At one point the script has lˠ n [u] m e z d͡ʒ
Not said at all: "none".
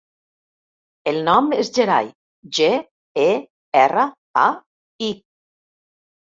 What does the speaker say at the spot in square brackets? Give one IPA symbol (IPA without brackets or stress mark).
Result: ɔ